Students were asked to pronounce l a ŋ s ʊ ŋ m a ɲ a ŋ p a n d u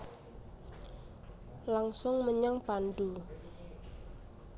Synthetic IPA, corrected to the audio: l a ŋ s ʊ ŋ m ə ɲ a ŋ p a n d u